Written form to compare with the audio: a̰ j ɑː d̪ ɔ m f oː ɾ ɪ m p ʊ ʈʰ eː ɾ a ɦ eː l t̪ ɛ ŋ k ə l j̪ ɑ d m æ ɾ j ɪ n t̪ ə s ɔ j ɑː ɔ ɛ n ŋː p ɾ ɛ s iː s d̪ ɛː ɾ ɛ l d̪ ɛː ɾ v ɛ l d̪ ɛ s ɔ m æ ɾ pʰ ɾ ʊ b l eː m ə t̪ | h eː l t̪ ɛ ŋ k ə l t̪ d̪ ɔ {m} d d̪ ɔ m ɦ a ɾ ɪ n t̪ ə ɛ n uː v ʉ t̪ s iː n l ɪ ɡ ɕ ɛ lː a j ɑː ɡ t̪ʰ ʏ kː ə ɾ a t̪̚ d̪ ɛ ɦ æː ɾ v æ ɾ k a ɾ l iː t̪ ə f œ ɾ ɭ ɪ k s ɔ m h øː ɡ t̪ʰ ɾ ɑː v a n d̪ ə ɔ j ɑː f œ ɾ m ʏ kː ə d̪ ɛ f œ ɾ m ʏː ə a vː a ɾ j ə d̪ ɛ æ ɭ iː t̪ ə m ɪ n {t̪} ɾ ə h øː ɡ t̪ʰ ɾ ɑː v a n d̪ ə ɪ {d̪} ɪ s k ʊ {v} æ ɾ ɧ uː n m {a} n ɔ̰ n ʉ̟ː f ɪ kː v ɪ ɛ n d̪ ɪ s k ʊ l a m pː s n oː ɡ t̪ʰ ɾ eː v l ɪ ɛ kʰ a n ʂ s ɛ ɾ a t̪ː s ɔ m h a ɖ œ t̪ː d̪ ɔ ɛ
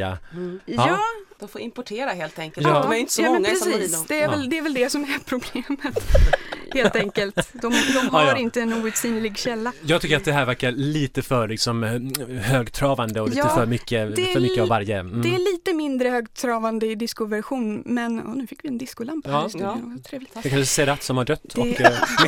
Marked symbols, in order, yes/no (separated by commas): yes, no, yes, yes, no